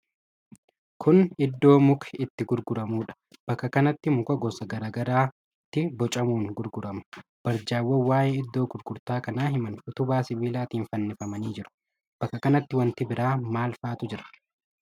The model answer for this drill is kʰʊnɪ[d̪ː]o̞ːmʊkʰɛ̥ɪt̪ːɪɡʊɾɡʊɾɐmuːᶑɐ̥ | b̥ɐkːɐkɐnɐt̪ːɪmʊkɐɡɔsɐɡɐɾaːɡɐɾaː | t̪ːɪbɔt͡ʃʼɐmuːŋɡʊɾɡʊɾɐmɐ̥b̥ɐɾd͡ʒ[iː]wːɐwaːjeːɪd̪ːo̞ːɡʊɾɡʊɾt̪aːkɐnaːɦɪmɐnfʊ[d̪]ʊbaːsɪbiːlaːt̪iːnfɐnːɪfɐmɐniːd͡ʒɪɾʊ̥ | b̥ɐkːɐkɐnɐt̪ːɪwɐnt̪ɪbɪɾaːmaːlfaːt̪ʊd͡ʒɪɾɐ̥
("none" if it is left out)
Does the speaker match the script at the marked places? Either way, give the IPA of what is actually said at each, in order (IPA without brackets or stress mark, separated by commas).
d̪ː, aː, t̪